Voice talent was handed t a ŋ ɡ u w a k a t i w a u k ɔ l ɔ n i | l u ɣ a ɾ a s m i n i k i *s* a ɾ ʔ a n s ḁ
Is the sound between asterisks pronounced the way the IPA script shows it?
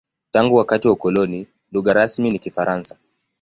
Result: no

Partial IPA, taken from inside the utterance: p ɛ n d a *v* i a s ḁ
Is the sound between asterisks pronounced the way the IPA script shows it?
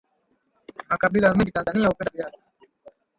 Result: yes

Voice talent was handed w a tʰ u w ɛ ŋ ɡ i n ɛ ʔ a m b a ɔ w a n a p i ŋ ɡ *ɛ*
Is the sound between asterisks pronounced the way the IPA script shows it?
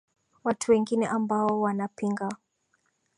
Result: no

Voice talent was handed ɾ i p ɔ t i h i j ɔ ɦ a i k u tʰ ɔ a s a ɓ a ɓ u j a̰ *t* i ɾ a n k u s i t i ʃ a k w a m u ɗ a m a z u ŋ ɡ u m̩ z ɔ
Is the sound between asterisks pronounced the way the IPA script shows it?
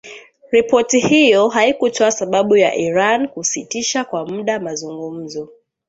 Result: no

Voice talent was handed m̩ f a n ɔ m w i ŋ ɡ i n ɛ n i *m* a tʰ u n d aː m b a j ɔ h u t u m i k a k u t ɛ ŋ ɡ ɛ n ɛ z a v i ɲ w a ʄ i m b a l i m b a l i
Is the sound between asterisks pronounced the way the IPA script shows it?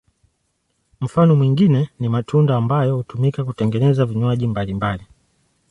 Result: yes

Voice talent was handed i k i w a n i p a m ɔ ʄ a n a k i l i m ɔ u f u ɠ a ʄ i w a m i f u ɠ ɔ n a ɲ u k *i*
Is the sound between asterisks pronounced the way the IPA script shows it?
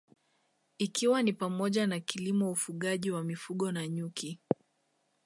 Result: yes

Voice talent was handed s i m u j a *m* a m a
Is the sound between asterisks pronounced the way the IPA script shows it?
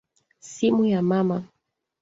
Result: yes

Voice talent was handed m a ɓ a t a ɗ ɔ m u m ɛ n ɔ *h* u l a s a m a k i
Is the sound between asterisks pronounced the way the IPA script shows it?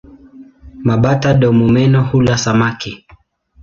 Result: yes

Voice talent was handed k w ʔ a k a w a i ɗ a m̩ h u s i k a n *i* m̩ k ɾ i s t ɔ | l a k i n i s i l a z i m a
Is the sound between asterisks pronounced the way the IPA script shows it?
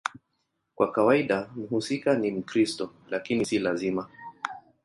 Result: yes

